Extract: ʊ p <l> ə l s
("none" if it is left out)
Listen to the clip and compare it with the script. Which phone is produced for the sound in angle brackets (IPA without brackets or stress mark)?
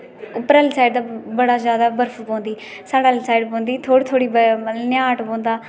ɾ